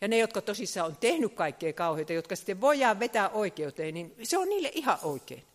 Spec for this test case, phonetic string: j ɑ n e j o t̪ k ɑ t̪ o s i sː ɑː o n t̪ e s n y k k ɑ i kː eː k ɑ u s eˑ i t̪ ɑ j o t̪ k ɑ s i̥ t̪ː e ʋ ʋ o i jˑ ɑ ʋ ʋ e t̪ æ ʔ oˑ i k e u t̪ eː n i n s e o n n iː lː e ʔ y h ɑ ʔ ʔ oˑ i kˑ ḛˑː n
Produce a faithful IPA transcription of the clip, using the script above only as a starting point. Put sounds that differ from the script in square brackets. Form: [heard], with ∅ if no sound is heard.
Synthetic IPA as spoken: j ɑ n e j o t̪ k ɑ t̪ o s i sː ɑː o n t̪ e [h] n y k k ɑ i kː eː k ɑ u [h] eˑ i t̪ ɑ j o t̪ k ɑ s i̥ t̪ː e ʋ ʋ o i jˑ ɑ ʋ ʋ e t̪ æ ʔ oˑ i k e u t̪ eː n i n s e o n n iː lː e ʔ [i] h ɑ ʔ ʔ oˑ i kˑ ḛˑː n